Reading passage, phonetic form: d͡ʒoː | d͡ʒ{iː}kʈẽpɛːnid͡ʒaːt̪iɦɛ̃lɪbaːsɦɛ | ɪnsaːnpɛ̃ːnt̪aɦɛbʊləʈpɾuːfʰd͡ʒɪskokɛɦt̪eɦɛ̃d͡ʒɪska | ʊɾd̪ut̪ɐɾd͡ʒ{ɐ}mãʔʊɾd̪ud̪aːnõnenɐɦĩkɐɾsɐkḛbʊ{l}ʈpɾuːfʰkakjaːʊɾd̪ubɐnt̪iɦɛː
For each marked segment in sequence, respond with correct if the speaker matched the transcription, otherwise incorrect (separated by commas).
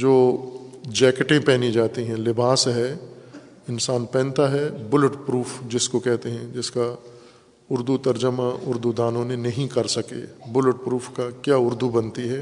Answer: incorrect, incorrect, correct